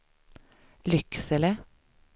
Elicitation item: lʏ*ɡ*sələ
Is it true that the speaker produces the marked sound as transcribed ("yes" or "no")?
no